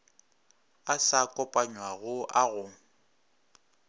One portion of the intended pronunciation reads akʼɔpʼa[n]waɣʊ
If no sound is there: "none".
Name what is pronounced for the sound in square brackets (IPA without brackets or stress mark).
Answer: ɲ